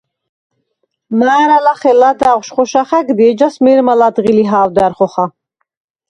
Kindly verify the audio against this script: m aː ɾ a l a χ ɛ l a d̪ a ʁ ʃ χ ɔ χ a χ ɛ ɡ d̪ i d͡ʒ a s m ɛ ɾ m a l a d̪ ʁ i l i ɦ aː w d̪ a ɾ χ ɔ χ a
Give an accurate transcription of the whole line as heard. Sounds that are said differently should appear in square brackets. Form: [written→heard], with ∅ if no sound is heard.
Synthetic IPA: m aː ɾ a l a χ ɛ l a d̪ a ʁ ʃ χ ɔ [χ→ʃ] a χ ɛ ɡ d̪ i d͡ʒ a s m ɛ ɾ m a l a d̪ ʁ i l i ɦ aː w d̪ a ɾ χ ɔ χ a